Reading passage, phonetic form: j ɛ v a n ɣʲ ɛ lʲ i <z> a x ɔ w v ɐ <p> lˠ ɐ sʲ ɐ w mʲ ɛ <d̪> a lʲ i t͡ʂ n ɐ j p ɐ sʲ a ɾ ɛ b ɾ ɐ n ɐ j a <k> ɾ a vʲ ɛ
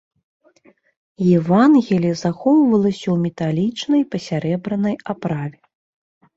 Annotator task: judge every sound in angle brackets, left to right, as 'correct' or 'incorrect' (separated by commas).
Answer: correct, incorrect, incorrect, incorrect